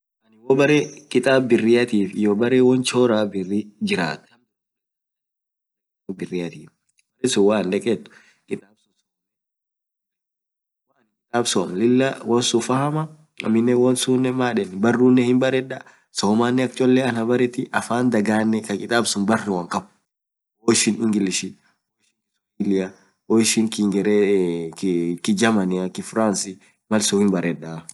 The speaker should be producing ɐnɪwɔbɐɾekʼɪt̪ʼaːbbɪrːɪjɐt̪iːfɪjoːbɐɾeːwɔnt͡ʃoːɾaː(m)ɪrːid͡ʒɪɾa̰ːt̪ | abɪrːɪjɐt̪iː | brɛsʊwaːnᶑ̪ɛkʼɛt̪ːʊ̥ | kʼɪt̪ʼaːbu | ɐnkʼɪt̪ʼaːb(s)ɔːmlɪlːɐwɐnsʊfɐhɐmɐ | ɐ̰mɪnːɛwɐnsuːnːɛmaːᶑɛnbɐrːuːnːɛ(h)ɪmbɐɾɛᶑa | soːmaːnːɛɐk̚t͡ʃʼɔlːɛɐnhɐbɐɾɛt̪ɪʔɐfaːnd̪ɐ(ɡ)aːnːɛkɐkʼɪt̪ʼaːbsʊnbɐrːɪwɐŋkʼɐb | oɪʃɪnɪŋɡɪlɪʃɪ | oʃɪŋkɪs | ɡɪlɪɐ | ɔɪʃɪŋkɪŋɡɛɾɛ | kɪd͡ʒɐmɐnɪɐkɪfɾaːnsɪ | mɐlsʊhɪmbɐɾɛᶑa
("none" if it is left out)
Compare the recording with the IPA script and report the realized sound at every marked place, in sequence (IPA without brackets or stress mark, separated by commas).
b, s, h, ɡ